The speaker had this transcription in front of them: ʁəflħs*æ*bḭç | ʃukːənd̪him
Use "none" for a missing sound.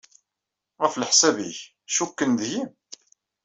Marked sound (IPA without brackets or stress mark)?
æ